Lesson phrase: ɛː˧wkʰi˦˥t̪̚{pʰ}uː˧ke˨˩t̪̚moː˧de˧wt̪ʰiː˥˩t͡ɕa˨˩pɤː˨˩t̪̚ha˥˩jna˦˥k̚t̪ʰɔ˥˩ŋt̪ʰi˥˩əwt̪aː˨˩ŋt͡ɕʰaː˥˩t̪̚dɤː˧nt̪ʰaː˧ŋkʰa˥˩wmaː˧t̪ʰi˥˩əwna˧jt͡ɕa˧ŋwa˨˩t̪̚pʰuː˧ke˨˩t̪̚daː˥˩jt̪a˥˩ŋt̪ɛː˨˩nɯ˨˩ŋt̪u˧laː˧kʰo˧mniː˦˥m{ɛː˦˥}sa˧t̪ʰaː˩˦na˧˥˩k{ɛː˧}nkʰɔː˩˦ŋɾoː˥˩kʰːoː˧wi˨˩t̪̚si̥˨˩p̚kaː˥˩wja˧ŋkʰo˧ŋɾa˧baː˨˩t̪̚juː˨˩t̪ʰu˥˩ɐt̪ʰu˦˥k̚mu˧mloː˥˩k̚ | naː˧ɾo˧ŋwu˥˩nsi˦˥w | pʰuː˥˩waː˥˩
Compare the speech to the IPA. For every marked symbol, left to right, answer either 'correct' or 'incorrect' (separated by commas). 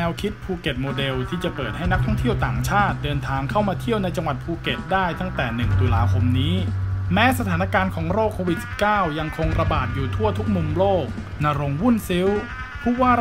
correct, correct, incorrect